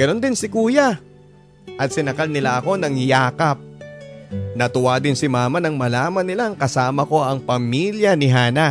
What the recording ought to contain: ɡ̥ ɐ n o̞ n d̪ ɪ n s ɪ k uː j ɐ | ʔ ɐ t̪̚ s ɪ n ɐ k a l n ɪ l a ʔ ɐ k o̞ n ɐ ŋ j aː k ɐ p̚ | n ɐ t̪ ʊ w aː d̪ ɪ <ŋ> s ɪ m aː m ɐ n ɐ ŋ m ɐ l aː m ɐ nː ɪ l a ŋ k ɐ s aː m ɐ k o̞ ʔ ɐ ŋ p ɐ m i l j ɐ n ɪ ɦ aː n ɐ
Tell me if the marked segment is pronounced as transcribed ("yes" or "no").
no